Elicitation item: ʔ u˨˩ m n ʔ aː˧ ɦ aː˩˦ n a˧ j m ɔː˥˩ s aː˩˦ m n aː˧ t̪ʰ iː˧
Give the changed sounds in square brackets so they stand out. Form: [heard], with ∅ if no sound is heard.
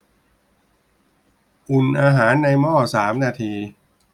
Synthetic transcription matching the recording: ʔ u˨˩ [∅] n ʔ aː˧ ɦ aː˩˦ [nː] a˧ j m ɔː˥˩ s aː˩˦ m n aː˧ t̪ʰ iː˧